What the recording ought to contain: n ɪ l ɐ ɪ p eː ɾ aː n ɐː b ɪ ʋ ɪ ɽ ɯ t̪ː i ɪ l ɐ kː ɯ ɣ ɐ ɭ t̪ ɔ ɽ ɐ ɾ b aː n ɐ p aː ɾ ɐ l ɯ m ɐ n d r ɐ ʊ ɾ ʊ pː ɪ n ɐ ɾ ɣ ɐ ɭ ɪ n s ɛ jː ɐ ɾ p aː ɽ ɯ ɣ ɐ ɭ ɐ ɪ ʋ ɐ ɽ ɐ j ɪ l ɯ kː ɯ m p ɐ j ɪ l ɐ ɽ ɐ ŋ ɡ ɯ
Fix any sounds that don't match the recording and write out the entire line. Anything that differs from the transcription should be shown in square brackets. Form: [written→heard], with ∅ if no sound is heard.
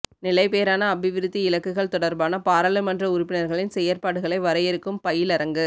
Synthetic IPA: n ɪ l ɐ ɪ p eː ɾ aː n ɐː b ɪ ʋ ɪ [ɽ→ɾ] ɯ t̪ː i ɪ l ɐ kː ɯ ɣ ɐ ɭ t̪ ɔ ɽ ɐ ɾ b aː n ɐ p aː ɾ ɐ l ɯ m ɐ n d r ɐ ʊ ɾ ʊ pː ɪ n ɐ ɾ ɣ ɐ ɭ ɪ n s ɛ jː ɐ ɾ p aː ɽ ɯ ɣ ɐ ɭ ɐ ɪ ʋ ɐ [ɽ→ɾ] ɐ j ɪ [l→ɾ] ɯ kː ɯ m p ɐ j ɪ l ɐ [ɽ→ɾ] ɐ ŋ ɡ ɯ